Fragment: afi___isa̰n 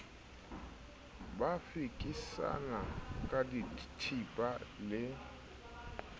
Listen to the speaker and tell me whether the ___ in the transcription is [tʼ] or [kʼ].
kʼ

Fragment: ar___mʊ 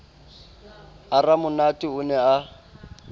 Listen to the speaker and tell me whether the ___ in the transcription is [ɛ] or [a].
a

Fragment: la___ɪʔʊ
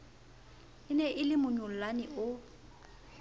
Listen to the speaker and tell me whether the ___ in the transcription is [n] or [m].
n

